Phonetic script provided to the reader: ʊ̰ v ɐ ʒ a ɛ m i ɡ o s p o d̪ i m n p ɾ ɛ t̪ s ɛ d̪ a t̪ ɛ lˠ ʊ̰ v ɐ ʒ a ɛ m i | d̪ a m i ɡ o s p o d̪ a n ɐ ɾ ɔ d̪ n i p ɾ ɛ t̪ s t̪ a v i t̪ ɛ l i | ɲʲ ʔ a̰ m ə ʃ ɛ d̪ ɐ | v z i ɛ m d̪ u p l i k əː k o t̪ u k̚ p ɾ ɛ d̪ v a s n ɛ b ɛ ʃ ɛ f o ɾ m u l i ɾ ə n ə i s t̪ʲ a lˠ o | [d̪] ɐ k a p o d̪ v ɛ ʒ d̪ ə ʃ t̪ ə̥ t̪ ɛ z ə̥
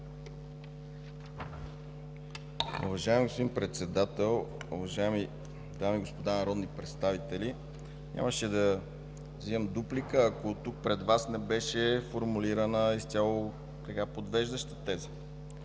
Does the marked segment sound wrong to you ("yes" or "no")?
yes